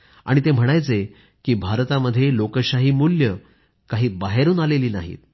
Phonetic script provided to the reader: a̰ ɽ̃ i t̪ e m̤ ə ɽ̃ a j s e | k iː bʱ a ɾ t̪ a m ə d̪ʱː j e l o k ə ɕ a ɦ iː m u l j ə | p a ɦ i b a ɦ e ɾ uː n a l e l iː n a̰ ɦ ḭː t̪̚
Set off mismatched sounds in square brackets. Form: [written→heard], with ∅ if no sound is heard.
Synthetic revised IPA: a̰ ɽ̃ i t̪ e m̤ ə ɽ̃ a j [s→t͡s] e | k iː bʱ a ɾ t̪ a m ə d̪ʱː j e l o k ə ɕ a ɦ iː m u l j ə | [p→k] a ɦ [i→iː] b a ɦ e ɾ uː n a l e l iː n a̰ ɦ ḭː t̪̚